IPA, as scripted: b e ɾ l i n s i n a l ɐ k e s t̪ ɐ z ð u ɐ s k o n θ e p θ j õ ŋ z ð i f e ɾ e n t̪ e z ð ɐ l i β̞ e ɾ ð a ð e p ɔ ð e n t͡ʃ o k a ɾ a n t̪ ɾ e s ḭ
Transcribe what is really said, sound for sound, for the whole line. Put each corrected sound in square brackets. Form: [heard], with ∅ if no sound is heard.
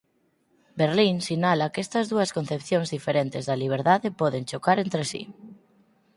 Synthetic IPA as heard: b e ɾ l i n s i n a l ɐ k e s t̪ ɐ z ð u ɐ s k o n θ e p θ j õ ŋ z ð i f e ɾ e n t̪ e z ð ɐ l i β̞ e ɾ ð a ð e p ɔ ð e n t͡ʃ o k a ɾ [e] n t̪ ɾ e s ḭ